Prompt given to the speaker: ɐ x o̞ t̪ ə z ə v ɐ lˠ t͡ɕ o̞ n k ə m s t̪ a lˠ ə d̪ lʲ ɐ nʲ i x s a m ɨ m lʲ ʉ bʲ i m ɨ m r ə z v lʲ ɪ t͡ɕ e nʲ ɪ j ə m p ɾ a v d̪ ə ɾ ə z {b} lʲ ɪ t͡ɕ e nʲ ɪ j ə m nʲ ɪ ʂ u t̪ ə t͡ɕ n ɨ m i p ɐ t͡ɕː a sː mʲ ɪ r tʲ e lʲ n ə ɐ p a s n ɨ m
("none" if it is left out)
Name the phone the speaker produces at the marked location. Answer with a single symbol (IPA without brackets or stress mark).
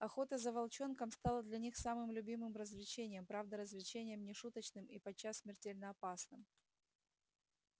v